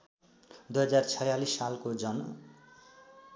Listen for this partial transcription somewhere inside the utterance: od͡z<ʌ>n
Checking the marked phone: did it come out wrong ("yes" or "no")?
no